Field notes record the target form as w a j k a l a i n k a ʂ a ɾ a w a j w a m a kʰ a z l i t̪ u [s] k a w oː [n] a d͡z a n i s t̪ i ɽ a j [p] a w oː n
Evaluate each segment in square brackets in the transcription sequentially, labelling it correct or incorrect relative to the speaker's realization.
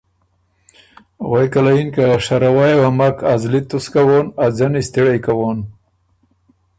correct, correct, incorrect: k

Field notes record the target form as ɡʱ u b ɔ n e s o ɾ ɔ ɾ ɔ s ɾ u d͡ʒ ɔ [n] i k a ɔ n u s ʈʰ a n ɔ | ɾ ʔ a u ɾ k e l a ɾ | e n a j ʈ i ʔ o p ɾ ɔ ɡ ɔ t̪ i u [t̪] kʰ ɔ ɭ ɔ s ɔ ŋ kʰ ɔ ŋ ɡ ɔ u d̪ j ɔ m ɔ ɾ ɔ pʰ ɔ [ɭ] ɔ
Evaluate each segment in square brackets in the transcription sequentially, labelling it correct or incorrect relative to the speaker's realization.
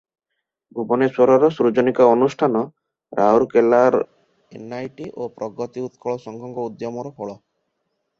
correct, correct, correct

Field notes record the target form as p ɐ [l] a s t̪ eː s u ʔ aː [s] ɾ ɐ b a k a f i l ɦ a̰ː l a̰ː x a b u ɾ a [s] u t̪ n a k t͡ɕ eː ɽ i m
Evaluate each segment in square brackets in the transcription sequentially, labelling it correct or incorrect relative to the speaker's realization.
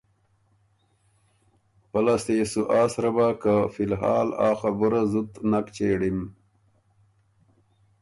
correct, correct, incorrect: z

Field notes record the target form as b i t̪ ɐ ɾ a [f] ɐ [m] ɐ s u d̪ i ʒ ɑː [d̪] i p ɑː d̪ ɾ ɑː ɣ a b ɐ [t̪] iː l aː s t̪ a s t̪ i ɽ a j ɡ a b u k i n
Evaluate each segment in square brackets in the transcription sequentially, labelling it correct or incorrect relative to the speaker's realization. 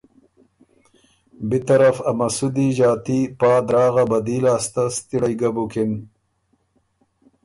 correct, correct, incorrect: t̪, incorrect: d̪

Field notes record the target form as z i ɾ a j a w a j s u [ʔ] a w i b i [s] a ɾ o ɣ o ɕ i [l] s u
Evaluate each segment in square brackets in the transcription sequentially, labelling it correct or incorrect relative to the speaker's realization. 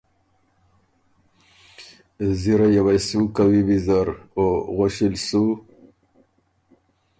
incorrect: k, incorrect: z, correct

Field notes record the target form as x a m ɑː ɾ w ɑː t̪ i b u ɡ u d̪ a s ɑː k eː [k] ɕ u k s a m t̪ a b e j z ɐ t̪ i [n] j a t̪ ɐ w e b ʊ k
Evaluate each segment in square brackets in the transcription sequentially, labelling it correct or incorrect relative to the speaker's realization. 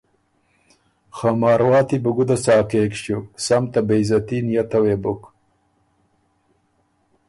correct, correct

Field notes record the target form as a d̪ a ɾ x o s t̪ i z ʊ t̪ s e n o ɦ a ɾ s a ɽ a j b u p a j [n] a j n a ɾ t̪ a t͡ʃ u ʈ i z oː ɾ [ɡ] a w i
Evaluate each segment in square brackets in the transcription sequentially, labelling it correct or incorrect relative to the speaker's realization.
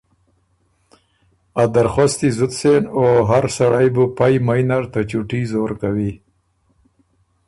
incorrect: m, incorrect: k

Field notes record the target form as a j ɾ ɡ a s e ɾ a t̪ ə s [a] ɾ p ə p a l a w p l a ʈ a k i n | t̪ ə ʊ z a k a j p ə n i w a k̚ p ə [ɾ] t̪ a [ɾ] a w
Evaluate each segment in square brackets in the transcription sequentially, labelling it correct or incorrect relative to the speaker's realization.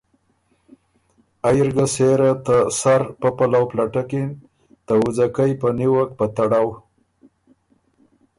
correct, incorrect: none, incorrect: ɽ

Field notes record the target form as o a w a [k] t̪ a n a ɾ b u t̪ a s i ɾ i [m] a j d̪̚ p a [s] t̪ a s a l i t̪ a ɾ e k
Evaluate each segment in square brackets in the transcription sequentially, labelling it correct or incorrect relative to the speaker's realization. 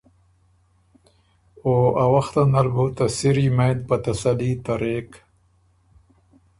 incorrect: x, correct, incorrect: none

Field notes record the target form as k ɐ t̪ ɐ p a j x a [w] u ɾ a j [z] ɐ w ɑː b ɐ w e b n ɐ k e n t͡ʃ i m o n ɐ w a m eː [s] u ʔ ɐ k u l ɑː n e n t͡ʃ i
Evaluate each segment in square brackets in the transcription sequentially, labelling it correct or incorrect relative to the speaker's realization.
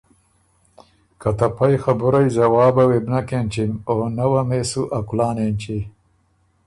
incorrect: b, correct, correct

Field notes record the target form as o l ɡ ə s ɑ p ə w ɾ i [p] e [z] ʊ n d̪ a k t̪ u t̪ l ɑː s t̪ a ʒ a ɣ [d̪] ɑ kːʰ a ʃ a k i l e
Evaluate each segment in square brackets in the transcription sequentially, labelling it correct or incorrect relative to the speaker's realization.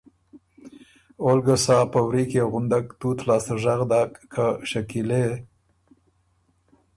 incorrect: k, incorrect: ɣ, correct

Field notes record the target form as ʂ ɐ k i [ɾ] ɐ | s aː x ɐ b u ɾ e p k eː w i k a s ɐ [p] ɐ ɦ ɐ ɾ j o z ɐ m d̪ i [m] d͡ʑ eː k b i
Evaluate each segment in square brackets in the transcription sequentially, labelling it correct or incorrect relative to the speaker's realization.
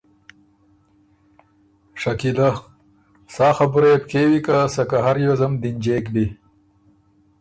incorrect: l, incorrect: k, incorrect: n

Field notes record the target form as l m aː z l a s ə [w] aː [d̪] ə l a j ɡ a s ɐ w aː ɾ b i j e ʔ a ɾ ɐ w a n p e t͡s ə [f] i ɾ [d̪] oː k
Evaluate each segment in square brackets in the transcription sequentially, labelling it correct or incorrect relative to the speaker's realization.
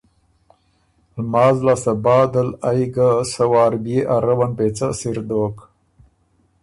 incorrect: b, correct, incorrect: s, correct

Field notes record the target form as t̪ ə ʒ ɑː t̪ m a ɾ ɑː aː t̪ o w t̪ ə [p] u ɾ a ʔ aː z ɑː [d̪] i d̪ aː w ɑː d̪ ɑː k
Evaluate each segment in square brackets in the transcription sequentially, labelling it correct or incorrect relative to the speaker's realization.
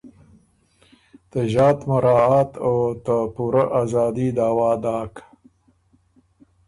correct, correct

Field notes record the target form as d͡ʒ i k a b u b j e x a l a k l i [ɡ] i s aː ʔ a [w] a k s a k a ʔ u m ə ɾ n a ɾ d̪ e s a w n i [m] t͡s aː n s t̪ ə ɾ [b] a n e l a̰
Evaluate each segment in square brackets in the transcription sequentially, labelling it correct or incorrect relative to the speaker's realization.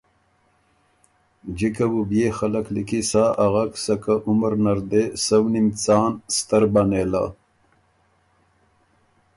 incorrect: k, incorrect: ɣ, correct, correct

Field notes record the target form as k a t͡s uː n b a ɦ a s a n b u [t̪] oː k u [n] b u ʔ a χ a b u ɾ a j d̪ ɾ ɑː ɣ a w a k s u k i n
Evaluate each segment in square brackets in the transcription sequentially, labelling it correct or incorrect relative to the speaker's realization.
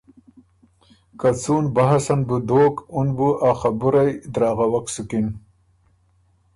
incorrect: d̪, correct

